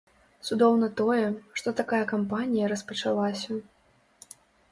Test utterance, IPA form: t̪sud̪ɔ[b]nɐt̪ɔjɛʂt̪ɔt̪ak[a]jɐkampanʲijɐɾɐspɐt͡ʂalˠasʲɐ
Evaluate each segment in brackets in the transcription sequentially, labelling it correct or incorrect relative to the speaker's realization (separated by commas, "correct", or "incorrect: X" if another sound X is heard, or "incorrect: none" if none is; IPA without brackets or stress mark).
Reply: incorrect: w, correct